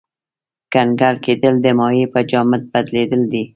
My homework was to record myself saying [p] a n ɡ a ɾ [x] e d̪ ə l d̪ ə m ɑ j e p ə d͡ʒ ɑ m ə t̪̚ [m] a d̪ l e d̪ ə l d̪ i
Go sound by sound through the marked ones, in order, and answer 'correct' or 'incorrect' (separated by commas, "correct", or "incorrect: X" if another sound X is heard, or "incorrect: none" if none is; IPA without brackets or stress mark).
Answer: incorrect: k, incorrect: k, incorrect: b